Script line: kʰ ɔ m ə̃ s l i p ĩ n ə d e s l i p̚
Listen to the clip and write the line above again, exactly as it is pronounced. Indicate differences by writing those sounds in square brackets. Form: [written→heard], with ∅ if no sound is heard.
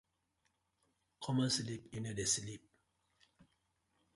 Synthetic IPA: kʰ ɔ m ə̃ s l i p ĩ n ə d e s l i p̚